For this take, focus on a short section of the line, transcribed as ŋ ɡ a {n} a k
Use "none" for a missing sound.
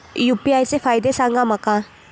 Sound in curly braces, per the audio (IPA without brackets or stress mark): m